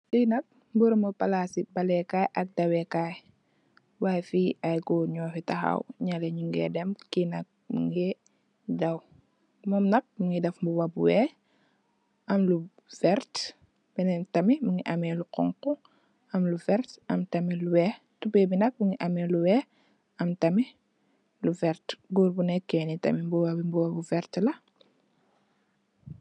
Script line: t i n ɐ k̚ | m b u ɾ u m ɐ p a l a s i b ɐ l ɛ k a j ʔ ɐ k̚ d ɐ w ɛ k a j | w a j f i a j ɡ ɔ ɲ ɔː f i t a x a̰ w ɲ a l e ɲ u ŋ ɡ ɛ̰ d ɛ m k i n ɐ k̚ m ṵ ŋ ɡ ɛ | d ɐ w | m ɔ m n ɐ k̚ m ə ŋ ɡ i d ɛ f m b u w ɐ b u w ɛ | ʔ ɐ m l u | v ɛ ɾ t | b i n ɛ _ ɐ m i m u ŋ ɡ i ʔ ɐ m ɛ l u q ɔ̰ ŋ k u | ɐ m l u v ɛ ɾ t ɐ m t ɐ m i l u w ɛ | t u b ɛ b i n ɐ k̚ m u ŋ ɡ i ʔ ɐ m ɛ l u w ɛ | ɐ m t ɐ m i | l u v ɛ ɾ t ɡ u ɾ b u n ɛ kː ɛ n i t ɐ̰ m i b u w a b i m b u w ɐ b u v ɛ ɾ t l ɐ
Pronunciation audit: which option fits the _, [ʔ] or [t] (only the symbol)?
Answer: t